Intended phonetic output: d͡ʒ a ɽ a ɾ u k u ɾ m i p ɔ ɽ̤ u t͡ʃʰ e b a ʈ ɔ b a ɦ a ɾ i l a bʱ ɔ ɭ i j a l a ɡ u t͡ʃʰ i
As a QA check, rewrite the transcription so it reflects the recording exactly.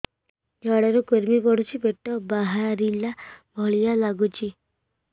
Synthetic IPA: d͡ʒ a ɽ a ɾ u k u ɾ m i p ɔ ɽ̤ u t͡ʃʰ i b e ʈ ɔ b a ɦ a ɾ i l a bʱ ɔ ɭ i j a l a ɡ u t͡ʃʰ i